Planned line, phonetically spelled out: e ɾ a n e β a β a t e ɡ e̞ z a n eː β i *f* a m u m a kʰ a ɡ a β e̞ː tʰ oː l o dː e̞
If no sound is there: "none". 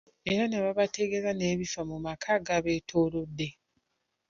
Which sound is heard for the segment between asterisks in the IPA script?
f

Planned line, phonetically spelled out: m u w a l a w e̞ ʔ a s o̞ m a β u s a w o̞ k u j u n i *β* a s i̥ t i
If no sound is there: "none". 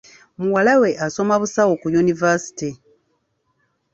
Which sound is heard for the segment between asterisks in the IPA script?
v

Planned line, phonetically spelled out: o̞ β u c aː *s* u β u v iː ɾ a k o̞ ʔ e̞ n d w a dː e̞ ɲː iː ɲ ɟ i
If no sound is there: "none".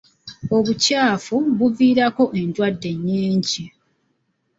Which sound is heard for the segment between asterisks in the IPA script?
f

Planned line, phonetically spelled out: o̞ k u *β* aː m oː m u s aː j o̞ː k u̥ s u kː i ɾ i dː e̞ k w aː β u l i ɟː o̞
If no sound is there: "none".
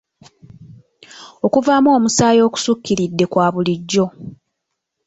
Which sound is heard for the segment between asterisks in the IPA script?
v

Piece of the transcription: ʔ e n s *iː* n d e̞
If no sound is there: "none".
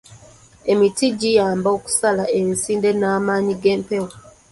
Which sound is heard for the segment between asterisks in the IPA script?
iː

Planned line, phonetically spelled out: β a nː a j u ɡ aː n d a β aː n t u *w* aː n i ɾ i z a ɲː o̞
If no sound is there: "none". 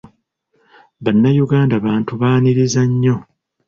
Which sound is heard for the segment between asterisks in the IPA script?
β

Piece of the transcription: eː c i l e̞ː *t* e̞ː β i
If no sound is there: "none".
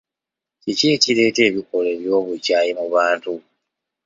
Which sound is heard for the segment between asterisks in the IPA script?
t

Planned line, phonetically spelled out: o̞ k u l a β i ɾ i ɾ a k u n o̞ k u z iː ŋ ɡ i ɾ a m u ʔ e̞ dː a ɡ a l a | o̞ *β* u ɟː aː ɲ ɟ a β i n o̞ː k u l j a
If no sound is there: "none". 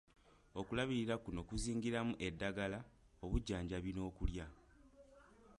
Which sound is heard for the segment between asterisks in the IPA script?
β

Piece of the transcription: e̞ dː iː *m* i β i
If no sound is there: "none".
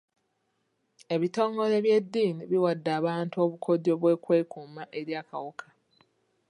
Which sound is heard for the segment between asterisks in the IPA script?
n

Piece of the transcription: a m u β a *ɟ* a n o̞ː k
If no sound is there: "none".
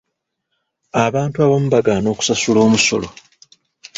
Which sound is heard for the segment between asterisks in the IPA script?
ɡ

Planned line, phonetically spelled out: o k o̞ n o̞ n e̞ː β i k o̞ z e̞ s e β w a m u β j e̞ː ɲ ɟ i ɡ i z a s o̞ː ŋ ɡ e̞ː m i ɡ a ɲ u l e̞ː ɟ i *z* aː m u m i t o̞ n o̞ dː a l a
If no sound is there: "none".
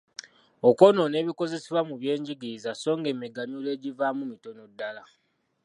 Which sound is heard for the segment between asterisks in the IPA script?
v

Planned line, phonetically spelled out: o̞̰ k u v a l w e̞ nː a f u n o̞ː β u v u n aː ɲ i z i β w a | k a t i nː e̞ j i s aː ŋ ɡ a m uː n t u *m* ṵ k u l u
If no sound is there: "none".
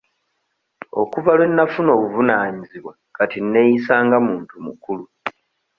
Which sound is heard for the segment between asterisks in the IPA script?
m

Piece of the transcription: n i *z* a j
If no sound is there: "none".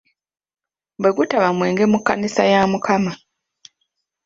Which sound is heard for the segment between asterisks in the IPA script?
s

